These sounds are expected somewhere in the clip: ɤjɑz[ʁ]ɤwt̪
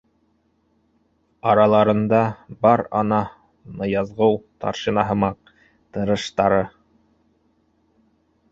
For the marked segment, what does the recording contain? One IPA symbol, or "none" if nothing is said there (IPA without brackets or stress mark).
ʁ